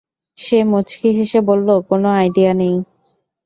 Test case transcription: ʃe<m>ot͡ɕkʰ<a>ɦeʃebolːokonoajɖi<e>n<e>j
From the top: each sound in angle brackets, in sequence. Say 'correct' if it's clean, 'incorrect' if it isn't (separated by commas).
correct, incorrect, incorrect, correct